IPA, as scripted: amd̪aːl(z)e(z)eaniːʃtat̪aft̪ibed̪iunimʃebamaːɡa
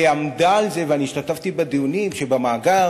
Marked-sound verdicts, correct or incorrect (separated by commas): correct, incorrect